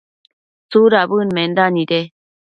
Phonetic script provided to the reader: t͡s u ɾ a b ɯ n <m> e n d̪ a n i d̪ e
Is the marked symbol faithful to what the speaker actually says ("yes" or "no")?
yes